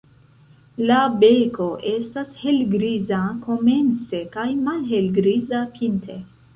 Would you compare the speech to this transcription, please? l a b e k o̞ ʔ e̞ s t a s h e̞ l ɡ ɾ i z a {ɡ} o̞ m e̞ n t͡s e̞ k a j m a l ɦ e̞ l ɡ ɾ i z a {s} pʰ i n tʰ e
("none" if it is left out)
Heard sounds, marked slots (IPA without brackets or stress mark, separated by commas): k, none